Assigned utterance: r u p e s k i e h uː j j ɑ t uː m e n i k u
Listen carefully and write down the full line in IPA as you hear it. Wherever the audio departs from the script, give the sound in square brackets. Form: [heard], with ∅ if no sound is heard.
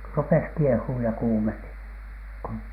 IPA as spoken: r u p e s k i e h uː j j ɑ [k] uː m e n i k u